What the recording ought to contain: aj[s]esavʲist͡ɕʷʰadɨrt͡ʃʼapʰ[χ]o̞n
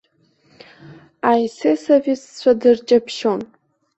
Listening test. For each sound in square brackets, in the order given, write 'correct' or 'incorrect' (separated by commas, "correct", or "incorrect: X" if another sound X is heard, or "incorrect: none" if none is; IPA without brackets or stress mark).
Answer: correct, incorrect: ʃ